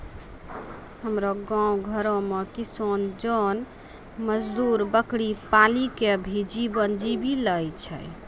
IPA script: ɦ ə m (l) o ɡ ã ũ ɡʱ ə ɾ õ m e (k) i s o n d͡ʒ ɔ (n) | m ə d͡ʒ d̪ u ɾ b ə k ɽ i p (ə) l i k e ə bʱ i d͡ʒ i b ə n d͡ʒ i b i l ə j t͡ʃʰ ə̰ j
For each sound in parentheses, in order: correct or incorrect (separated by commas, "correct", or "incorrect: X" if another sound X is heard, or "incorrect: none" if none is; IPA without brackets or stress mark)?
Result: incorrect: ɾ, correct, correct, incorrect: a